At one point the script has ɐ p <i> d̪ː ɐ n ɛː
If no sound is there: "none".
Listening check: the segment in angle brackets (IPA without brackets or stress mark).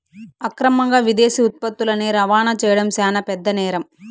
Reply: ɛ